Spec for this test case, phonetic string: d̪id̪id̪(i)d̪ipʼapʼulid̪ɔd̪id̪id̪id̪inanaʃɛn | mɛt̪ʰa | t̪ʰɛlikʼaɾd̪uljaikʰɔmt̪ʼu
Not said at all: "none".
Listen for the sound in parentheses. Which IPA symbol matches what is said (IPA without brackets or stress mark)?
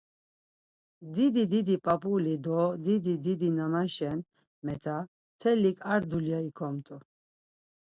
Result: i